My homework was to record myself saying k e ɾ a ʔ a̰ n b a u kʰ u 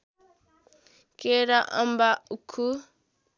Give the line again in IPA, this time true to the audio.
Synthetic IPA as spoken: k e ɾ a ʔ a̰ m b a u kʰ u